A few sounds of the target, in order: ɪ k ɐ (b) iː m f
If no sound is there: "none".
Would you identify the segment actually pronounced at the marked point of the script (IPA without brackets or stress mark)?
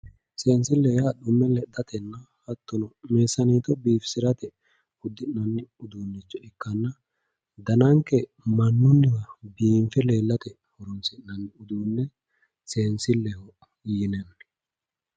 b